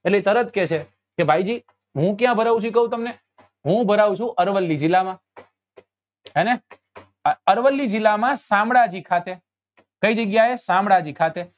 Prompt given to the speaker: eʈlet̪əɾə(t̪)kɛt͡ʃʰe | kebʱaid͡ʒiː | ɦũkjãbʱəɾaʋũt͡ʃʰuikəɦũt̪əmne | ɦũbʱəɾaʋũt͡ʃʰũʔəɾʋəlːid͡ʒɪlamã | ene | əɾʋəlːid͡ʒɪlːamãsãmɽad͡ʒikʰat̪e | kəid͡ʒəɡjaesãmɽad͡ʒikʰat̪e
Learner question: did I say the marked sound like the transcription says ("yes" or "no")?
yes